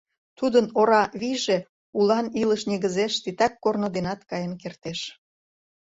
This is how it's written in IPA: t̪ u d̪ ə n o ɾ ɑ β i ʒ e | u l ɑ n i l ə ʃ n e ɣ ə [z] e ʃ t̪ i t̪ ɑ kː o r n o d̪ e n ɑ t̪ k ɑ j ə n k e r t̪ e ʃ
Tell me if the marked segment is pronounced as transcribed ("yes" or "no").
yes